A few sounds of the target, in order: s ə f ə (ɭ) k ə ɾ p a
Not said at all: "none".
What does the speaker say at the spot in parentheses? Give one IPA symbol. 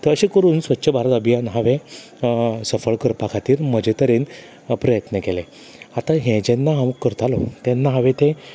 ɭ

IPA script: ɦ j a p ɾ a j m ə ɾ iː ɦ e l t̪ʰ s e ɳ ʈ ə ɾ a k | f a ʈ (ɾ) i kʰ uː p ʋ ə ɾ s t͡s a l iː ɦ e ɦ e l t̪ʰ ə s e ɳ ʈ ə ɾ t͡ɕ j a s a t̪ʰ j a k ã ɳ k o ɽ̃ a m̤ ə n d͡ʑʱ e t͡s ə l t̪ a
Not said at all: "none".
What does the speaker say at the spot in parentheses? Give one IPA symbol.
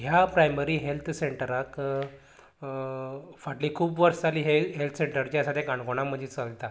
l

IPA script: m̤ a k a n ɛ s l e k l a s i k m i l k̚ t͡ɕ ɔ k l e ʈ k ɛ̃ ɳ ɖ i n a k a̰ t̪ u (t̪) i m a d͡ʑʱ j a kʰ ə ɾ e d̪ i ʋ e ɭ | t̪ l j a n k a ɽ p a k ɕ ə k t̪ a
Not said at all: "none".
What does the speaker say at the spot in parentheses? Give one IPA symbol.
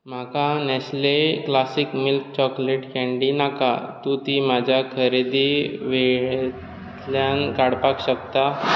t̪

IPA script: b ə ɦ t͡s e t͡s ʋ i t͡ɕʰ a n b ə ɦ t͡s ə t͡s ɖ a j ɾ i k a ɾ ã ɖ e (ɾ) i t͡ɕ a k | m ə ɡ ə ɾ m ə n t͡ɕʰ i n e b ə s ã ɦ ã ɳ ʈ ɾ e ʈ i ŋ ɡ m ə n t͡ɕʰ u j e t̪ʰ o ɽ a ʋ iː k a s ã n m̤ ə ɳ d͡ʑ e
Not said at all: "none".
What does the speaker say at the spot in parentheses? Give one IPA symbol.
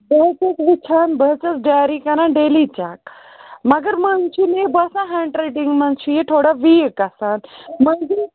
l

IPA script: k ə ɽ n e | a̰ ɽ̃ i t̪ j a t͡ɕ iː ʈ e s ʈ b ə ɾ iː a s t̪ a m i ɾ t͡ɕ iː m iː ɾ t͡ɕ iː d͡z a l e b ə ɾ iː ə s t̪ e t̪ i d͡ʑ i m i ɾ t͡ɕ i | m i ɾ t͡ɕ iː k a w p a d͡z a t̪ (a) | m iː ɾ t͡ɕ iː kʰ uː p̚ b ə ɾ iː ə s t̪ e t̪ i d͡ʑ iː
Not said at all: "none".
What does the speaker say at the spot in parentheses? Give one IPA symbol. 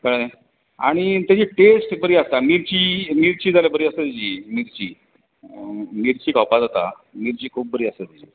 a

